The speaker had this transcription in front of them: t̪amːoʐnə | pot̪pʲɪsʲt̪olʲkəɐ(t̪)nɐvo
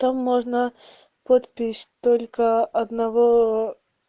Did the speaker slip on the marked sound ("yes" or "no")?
yes